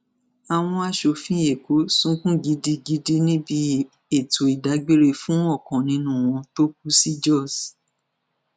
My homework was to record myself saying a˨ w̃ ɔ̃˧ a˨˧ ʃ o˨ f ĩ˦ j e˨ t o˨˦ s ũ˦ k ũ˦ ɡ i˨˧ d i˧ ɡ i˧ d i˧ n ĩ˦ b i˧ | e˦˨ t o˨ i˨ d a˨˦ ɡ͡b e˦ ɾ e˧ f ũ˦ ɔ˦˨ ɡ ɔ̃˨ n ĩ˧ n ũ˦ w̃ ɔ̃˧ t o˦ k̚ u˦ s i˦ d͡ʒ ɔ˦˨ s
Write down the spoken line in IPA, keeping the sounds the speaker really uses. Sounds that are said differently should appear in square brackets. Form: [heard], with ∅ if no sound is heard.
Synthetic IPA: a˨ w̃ ɔ̃˧ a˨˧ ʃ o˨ f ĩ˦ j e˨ [k] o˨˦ s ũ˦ k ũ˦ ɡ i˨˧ d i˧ ɡ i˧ d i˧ n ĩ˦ b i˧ | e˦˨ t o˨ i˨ d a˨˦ ɡ͡b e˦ ɾ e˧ f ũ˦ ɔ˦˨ [k] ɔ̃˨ n ĩ˧ n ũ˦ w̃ ɔ̃˧ t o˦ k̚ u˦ s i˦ d͡ʒ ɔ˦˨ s

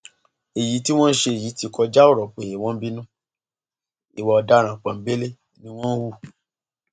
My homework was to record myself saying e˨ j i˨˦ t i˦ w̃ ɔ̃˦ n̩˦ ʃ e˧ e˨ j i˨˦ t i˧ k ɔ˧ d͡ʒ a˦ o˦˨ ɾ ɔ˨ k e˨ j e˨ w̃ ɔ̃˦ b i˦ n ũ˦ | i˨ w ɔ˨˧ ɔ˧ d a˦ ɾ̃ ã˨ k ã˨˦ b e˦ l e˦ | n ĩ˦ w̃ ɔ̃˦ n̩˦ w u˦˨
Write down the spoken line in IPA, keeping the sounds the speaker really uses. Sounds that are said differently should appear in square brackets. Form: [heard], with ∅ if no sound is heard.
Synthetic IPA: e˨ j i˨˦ t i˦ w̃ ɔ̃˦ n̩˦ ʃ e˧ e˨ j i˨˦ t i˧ k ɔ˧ d͡ʒ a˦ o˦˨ ɾ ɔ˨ [k͡p] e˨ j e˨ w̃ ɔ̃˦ b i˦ n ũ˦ | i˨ w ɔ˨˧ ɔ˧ d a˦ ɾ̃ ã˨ [k͡p] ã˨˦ b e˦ l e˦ | n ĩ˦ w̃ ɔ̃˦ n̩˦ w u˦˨

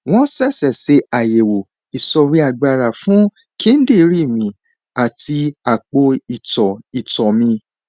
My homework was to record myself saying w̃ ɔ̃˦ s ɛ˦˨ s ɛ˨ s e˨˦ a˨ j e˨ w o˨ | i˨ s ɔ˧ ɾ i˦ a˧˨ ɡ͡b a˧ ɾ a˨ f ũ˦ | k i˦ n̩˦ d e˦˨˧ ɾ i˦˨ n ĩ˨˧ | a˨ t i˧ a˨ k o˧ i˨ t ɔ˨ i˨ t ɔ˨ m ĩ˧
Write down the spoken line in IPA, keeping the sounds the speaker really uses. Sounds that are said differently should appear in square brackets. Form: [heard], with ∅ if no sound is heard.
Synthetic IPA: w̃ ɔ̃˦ s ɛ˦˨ s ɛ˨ s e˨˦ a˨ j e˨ w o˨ | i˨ s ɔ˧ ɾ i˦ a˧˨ ɡ͡b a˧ ɾ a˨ f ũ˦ | k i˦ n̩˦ d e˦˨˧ ɾ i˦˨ [m] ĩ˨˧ | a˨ t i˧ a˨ [k͡p] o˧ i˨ t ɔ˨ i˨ t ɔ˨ m ĩ˧

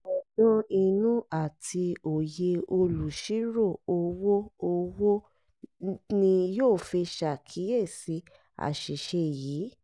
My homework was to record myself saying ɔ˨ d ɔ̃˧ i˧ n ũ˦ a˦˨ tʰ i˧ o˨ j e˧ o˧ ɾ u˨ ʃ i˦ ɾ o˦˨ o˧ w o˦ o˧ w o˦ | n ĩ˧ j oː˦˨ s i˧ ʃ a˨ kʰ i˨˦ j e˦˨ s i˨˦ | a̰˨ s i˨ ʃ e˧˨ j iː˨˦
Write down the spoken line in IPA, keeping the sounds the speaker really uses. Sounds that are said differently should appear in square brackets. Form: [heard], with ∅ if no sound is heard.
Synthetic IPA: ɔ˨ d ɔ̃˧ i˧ n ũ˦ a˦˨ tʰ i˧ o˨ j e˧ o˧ [l] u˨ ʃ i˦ ɾ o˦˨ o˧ w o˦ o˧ w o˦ | n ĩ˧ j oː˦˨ [f] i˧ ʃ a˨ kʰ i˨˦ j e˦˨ s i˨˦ | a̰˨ [ʃ] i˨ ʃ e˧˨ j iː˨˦

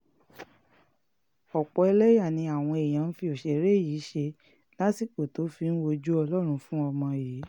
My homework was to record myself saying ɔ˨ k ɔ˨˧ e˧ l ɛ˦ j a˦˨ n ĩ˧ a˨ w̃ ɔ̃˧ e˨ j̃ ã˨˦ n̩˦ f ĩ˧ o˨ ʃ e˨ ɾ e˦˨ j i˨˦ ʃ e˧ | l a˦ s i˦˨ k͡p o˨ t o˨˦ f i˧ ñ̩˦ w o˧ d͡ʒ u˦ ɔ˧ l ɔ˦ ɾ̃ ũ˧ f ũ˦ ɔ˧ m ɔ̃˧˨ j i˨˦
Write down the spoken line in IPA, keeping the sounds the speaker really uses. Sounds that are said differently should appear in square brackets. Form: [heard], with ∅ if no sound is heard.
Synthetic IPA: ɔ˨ [k͡p] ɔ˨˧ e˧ l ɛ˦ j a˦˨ n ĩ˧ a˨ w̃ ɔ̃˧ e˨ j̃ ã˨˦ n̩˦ f [i˧] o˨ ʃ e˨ ɾ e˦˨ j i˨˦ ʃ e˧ | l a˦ s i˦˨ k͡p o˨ t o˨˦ f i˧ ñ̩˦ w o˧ d͡ʒ u˦ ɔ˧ l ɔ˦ ɾ̃ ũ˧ f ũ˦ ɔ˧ m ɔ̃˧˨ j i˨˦

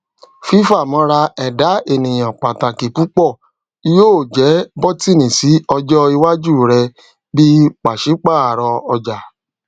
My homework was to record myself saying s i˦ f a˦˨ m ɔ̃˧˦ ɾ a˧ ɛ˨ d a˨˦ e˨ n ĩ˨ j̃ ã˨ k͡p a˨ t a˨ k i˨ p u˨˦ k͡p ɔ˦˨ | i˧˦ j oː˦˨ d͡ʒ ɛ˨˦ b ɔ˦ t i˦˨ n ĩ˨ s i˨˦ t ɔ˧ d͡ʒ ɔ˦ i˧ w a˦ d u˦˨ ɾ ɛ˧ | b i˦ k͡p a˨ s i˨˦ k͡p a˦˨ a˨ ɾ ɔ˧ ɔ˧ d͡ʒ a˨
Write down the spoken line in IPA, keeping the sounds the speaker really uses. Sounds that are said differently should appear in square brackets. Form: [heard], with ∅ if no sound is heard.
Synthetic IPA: [f] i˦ f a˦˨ m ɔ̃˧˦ ɾ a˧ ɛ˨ d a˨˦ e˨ n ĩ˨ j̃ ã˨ k͡p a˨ t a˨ k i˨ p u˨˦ k͡p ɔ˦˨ | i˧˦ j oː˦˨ d͡ʒ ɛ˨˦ b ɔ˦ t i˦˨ n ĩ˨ s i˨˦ [∅] ɔ˧ d͡ʒ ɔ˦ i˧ w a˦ [d͡ʒ] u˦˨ ɾ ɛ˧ | b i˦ k͡p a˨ [ʃ] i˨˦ k͡p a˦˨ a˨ ɾ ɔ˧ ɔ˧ d͡ʒ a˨

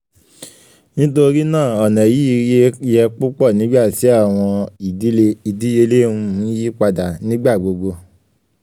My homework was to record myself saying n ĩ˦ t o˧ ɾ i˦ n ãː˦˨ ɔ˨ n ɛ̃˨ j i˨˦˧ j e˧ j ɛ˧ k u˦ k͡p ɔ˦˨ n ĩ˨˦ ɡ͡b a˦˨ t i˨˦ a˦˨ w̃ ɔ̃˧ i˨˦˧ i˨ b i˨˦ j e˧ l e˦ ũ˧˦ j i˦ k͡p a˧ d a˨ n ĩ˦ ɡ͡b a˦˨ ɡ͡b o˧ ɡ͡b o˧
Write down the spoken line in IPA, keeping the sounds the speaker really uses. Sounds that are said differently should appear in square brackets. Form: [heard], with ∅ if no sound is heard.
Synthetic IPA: n ĩ˦ t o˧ ɾ i˦ n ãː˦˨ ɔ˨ n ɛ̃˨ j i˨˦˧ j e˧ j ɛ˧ [k͡p] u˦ k͡p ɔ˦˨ n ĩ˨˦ ɡ͡b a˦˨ t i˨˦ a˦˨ w̃ ɔ̃˧ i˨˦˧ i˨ [d] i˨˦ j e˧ l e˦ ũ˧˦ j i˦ k͡p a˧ d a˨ n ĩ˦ ɡ͡b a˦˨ ɡ͡b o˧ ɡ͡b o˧

